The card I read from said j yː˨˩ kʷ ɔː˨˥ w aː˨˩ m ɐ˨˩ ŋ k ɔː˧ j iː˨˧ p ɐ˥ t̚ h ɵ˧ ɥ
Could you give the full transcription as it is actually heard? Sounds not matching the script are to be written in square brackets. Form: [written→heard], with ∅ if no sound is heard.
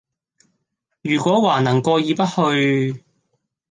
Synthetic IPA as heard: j yː˨˩ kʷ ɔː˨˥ w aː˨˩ [m→n] ɐ˨˩ ŋ k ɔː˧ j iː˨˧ p ɐ˥ t̚ h ɵ˧ ɥ